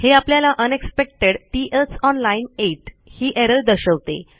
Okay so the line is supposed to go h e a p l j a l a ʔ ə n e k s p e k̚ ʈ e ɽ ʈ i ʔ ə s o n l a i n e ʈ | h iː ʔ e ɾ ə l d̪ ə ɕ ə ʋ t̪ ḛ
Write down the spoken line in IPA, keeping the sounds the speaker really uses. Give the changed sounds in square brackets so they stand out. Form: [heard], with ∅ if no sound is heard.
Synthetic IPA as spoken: h e a p l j a l a ʔ ə n e k s p e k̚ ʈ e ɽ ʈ i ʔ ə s [ɔ] n l a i n e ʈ | h iː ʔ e ɾ ə l d̪ ə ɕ ə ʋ t̪ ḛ